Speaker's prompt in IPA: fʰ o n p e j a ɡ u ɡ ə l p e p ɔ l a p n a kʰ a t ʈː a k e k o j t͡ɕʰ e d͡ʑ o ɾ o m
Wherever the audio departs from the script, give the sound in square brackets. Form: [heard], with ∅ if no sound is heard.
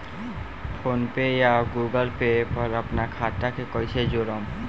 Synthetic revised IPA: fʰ o n p e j a ɡ u ɡ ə l p e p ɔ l a p n a kʰ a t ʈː a k e k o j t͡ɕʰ e d͡ʑ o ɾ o m